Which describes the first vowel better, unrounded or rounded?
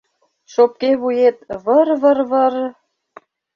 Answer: rounded